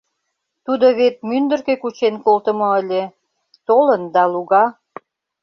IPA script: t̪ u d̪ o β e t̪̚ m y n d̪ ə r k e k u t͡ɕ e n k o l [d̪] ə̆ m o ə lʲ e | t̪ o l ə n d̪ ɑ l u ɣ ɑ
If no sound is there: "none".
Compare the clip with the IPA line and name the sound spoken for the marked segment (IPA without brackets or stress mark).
t̪